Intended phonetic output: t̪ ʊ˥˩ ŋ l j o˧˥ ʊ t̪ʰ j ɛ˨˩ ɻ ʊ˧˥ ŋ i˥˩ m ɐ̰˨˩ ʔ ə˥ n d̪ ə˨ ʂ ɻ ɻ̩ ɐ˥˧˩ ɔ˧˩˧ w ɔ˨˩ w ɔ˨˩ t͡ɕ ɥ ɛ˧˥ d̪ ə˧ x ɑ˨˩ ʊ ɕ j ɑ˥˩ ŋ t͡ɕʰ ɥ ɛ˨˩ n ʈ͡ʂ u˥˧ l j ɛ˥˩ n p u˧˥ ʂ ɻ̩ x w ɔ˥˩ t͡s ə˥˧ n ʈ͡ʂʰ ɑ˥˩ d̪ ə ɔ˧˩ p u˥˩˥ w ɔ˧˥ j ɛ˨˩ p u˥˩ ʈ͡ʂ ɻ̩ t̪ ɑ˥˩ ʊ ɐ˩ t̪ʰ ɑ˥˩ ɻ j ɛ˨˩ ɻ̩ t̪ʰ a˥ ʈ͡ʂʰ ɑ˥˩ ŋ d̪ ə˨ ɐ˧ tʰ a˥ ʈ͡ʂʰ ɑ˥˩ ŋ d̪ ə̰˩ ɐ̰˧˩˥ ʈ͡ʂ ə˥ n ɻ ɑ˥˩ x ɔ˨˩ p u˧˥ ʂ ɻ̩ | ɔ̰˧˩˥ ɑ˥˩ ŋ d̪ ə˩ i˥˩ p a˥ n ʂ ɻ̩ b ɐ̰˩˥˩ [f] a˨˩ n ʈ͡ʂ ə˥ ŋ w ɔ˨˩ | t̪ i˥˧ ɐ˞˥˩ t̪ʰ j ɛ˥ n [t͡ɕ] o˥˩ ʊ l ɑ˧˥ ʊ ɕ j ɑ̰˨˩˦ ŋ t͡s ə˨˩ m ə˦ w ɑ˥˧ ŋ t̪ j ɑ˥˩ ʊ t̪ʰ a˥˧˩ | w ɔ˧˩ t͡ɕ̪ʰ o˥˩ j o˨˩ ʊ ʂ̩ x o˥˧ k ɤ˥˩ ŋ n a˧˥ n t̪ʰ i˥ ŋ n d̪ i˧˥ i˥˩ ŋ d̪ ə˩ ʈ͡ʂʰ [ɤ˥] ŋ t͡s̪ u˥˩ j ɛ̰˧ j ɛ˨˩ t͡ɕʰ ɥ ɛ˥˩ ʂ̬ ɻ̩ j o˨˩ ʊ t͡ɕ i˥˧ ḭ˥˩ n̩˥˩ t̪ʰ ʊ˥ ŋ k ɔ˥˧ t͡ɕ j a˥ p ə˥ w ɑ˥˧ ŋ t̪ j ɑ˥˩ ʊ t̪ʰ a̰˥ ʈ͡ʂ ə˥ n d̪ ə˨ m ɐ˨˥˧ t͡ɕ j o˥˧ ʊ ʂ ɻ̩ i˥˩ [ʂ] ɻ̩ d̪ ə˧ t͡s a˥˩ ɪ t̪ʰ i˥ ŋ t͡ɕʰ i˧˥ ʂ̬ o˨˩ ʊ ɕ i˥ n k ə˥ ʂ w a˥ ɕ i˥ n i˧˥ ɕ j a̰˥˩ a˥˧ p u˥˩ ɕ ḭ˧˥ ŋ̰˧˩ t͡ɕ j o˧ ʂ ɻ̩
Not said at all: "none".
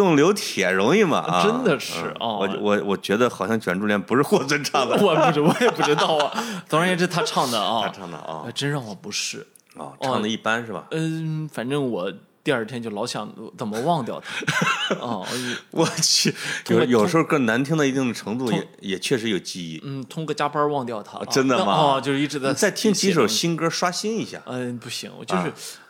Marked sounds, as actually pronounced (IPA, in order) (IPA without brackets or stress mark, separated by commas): f, t͡ɕ, ɤ˧˥, ʈ͡ʂ